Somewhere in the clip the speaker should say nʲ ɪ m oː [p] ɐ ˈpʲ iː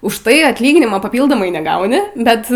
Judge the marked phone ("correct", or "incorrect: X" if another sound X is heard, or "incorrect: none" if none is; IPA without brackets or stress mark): correct